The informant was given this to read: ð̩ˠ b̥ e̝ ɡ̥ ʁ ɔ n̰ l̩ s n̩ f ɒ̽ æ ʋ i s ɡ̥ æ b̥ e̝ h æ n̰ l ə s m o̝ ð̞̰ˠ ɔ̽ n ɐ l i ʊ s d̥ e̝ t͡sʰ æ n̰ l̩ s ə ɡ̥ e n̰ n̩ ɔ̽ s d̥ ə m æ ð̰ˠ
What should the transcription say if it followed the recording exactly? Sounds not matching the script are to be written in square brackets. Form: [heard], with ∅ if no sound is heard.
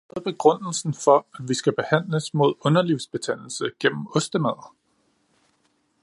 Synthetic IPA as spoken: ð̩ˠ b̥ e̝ ɡ̥ ʁ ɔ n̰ l̩ s n̩ f ɒ̽ æ ʋ i s ɡ̥ æ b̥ e̝ h æ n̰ l ə s m o̝ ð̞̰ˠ ɔ̽ n ɐ l i ʊ s [b̥] e̝ t͡sʰ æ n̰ l̩ s ə ɡ̥ e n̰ [m̩] ɔ̽ s d̥ ə m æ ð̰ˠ